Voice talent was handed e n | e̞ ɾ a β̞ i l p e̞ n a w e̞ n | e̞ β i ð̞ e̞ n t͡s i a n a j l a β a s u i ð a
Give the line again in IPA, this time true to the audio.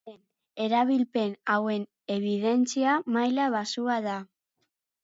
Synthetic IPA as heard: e n | e̞ ɾ a β̞ i l p e̞ n a w e̞ n | e̞ β i ð̞ e̞ n t͡s i a m a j l a β a s u a ð a